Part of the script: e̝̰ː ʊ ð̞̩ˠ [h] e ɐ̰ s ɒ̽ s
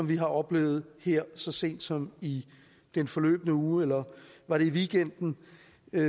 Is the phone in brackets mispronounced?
no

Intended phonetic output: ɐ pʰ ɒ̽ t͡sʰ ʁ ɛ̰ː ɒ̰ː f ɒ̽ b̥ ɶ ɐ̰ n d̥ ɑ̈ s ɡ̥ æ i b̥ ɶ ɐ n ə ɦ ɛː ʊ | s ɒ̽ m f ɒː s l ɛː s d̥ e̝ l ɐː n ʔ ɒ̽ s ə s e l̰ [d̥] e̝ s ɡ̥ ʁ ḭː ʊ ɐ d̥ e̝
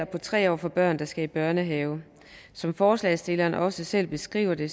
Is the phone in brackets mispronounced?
yes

